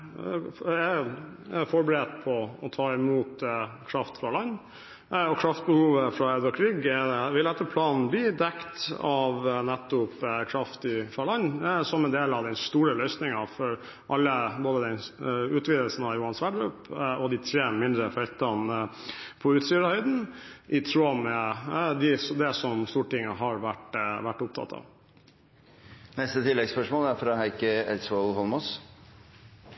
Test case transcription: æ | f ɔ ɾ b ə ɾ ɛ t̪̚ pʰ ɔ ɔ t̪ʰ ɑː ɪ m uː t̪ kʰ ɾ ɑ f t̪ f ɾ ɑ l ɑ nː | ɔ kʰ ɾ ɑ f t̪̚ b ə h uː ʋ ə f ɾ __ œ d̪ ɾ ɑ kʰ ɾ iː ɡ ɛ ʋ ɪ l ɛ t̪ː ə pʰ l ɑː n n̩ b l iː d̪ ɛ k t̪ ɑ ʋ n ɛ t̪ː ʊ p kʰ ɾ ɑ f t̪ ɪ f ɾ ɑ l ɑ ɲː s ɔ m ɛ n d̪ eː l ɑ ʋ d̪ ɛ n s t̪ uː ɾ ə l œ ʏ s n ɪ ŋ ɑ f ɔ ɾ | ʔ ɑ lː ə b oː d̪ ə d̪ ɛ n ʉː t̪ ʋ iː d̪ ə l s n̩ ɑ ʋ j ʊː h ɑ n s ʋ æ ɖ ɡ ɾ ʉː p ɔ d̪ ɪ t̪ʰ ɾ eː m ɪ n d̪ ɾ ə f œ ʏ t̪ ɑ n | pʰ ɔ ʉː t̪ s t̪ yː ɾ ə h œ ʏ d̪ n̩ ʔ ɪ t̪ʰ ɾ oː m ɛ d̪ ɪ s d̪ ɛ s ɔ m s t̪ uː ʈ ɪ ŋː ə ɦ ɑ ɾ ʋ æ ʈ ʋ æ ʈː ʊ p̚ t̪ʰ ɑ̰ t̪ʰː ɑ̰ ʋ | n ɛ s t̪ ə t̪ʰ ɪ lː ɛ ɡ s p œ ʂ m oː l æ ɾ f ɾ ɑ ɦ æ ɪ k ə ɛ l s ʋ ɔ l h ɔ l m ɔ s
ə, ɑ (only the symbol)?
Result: ɑ